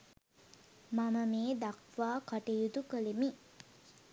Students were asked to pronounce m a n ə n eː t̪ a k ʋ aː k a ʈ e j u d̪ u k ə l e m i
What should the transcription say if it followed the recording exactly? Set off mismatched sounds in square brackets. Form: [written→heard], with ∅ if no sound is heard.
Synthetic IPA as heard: m a [n→m] ə [n→m] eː [t̪→d̪] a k ʋ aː k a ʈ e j u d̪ u k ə l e m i